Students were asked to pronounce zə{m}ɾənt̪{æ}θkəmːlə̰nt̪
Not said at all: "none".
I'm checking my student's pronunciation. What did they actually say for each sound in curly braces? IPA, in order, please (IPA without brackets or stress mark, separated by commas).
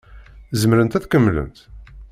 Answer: m, æ